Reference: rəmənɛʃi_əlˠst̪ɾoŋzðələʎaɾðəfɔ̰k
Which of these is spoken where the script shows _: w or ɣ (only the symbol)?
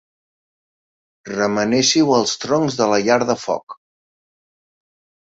w